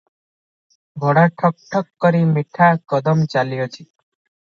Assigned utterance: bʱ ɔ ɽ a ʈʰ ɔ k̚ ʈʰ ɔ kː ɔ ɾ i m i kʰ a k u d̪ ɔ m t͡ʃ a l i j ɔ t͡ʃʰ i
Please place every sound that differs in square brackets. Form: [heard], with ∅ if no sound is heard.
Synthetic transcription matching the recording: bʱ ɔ ɽ a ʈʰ ɔ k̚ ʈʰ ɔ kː ɔ ɾ i m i [ʈʰ] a k [ɔ] d̪ ɔ m t͡ʃ a l i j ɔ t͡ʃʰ i